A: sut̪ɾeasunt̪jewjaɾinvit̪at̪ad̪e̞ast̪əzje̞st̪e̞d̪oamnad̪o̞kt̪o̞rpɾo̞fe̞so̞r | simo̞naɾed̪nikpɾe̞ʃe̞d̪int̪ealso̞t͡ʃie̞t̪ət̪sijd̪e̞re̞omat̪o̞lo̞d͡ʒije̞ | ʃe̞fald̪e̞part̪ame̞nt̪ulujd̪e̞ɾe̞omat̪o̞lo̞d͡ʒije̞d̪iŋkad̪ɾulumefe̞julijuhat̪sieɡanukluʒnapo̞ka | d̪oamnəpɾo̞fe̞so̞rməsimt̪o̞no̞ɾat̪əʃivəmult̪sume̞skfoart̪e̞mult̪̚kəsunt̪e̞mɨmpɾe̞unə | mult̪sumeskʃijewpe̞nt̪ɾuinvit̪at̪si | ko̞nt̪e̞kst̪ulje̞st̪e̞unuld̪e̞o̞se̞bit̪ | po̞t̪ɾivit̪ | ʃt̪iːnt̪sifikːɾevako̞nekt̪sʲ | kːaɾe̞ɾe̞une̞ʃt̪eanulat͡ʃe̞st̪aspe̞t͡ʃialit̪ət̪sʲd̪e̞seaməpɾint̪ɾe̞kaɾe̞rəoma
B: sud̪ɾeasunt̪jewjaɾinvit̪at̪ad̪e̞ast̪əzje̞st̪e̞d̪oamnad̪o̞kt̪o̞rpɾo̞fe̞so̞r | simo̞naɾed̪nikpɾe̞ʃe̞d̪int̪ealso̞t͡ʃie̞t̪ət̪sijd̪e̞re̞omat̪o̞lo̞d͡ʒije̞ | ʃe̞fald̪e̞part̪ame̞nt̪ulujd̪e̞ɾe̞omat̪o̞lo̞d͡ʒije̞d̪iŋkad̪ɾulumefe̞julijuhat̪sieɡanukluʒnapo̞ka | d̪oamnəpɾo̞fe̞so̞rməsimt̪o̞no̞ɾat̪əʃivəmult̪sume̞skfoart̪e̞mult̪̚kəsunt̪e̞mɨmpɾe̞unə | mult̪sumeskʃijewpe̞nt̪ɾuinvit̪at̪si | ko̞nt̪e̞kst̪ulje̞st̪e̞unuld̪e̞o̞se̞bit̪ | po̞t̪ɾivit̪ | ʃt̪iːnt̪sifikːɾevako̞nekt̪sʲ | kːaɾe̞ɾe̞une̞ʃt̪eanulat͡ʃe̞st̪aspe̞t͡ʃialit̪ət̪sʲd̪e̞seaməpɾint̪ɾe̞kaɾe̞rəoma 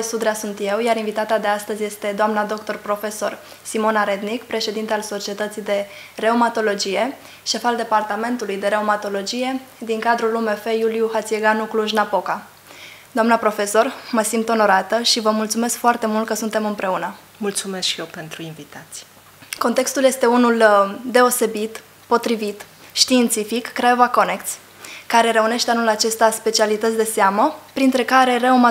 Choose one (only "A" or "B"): B